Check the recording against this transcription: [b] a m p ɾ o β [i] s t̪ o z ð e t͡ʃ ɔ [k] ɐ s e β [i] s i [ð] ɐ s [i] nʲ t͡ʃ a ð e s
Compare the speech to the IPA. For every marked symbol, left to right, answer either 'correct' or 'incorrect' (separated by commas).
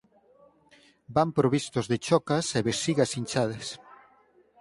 correct, correct, correct, incorrect, incorrect, correct